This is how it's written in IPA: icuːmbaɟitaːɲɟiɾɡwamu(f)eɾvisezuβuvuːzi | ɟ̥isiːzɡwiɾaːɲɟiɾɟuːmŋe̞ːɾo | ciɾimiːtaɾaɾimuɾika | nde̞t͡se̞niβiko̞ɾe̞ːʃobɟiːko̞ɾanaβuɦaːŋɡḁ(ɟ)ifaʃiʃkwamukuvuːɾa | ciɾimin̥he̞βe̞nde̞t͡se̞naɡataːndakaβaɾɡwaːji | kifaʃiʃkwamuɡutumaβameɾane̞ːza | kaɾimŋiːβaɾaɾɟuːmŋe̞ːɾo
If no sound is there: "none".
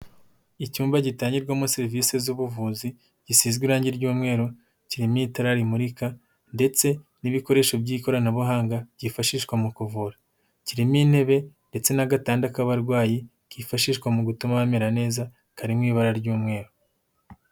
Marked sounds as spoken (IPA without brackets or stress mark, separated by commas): s, ɟ